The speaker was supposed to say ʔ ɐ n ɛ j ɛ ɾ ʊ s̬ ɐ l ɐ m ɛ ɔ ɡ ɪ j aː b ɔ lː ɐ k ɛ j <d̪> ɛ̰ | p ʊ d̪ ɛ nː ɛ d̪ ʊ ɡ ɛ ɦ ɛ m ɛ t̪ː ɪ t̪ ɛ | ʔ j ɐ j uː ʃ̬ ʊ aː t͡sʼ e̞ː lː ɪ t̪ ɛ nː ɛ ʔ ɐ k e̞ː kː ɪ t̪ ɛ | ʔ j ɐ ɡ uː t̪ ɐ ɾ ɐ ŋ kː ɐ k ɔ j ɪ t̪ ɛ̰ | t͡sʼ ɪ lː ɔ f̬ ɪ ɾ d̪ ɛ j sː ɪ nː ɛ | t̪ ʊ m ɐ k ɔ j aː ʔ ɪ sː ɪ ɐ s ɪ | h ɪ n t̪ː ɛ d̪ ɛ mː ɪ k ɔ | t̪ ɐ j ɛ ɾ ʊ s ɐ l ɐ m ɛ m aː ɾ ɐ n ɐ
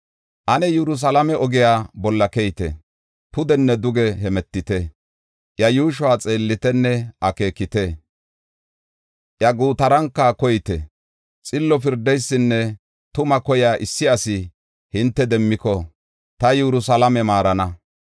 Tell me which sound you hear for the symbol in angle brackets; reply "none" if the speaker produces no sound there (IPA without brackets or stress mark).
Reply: t̪